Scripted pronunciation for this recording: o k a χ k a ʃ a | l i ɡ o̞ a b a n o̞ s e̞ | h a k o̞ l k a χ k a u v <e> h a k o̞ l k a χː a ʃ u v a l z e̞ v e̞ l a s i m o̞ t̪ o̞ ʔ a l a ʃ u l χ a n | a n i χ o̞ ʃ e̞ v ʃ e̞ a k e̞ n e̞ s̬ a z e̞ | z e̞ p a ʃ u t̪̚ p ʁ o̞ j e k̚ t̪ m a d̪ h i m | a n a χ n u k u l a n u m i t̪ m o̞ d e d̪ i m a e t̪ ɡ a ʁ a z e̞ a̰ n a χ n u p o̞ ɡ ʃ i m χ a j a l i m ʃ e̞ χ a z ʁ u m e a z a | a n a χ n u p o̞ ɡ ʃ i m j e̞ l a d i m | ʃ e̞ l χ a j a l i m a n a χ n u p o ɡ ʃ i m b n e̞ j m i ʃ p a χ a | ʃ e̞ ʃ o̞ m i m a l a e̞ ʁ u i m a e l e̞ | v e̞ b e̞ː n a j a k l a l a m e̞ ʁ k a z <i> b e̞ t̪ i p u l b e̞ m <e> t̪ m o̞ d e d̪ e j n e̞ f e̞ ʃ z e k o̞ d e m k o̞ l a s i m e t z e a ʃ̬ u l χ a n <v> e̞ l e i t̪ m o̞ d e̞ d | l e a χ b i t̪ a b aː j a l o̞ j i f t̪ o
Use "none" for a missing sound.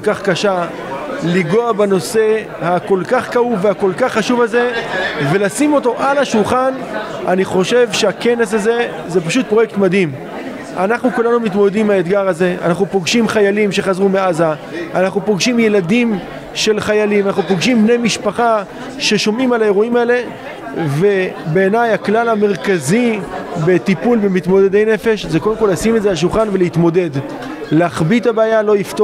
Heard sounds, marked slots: e, i, i, v

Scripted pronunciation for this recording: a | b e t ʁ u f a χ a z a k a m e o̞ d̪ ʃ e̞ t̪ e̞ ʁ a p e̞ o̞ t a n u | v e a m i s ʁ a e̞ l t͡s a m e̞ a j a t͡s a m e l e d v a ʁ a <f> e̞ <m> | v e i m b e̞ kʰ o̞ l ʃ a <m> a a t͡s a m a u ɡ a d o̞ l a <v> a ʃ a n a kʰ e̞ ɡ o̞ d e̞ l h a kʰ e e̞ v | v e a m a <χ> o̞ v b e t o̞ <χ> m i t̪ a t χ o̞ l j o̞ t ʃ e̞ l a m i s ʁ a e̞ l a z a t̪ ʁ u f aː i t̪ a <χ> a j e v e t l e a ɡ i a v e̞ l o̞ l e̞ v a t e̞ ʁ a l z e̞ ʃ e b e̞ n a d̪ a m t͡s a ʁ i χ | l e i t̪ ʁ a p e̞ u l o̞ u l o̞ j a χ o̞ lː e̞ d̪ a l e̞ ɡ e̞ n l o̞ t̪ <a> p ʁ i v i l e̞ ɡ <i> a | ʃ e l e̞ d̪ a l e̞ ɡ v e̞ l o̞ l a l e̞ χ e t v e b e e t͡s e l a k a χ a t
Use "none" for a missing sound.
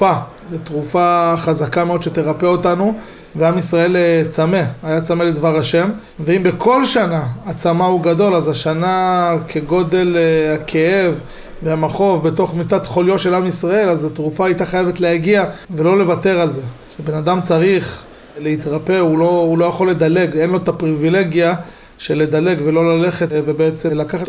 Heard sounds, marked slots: ʃ, m, n, z, χ, χ, χ, a, j

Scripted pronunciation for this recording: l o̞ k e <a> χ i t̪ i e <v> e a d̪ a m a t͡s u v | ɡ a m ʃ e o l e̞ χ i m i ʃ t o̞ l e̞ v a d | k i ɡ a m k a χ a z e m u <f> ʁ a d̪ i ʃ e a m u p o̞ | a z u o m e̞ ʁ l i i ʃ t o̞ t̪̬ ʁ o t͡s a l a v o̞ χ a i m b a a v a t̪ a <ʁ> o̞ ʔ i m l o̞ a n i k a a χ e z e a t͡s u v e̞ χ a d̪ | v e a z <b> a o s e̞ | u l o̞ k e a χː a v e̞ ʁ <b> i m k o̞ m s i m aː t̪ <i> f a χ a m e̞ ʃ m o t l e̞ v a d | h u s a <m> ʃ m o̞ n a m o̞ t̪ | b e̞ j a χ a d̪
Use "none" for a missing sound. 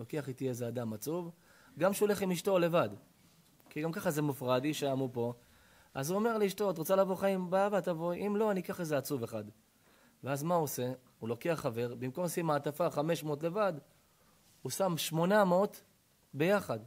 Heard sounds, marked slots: a, z, f, v, m, b, a, m

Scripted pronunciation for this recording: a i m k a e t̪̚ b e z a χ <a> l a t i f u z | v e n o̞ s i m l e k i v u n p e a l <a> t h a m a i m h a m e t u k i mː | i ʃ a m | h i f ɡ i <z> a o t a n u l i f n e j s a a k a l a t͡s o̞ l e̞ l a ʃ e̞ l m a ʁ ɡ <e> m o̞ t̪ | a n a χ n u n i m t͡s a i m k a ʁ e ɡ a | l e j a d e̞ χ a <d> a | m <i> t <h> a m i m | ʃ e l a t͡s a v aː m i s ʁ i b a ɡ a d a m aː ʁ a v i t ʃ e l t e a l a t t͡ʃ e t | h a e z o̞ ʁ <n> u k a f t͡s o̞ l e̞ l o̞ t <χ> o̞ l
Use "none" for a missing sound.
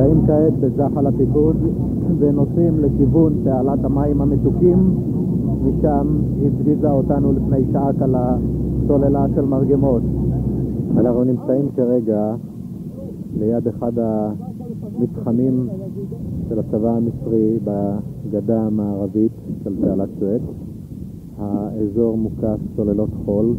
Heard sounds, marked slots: a, a, z, e, d, i, χ, m, χ

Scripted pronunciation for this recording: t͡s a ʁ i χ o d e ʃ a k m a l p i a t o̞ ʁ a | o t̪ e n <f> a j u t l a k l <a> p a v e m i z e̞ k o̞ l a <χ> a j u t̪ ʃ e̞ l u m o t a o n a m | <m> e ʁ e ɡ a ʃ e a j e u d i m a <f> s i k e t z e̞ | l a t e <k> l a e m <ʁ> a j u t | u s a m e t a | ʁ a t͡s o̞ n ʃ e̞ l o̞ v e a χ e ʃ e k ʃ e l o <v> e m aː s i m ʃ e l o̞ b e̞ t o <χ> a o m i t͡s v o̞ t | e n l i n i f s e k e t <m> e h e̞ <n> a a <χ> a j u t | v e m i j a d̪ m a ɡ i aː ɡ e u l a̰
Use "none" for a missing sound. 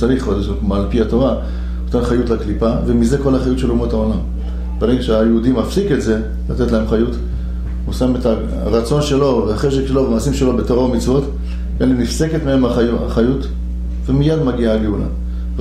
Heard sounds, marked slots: χ, i, χ, b, f, t, χ, v, ʁ, m, m, χ

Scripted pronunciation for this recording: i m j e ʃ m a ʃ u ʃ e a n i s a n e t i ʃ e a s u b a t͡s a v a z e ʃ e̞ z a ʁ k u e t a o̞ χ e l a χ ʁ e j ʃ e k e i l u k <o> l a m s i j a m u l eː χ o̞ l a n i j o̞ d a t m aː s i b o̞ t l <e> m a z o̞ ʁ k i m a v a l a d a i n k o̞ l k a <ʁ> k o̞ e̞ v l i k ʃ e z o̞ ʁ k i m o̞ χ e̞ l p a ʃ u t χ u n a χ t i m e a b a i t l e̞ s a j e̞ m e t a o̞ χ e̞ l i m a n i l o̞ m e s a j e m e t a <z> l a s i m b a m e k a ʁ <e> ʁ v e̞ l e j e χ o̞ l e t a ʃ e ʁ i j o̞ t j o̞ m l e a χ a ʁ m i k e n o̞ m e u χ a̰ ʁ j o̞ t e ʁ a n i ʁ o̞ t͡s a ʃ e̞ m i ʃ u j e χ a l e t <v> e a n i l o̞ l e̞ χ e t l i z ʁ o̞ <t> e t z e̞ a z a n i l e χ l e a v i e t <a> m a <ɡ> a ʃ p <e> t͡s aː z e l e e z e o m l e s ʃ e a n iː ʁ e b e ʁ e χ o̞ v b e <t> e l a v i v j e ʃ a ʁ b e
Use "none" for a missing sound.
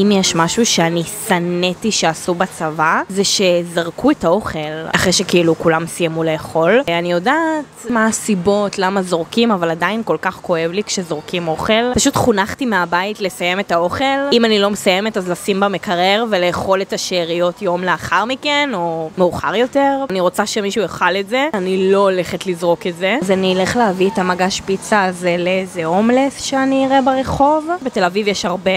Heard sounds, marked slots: u, a, χ, z, e, z, k, a, ɡ, i, t

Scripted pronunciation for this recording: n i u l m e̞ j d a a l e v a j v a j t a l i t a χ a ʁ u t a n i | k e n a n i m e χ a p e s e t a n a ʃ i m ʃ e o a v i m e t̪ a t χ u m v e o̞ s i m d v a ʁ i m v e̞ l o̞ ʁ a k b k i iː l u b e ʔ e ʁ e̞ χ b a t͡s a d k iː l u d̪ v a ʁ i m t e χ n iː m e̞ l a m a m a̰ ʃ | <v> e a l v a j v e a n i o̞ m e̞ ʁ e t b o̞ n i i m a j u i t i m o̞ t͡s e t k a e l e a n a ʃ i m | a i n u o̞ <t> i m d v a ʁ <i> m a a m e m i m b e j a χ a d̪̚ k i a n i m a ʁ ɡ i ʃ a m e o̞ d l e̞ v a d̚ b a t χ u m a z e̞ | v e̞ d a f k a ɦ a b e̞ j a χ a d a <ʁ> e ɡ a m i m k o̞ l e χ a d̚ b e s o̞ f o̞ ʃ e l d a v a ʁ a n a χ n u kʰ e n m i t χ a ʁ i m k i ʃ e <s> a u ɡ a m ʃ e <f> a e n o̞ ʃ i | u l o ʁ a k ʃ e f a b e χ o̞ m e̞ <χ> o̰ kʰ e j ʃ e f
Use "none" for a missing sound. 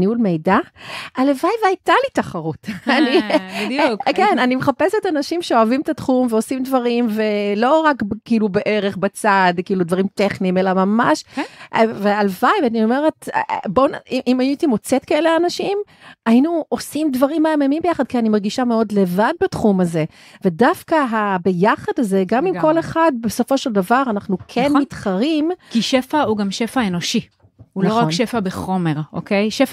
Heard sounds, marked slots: v, s, i, z, f, f, ʁ

